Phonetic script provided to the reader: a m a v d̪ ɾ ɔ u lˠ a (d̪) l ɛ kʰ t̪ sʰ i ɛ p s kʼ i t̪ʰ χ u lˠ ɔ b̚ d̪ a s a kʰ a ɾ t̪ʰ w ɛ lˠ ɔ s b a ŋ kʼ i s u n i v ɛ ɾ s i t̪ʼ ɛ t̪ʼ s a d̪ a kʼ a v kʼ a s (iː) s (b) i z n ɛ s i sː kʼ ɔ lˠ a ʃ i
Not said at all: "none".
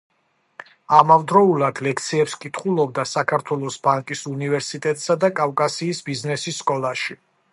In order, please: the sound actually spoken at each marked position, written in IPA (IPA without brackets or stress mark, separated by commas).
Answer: d̪, iː, b